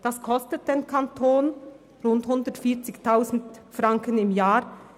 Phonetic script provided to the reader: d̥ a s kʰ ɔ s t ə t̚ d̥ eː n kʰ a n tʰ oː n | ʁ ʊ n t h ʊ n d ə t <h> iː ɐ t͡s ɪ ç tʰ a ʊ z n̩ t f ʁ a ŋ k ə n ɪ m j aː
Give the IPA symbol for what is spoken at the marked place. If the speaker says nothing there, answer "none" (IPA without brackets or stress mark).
f